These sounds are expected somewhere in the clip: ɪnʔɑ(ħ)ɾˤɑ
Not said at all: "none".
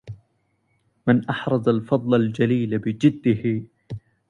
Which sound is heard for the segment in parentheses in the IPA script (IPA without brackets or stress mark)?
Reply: ħ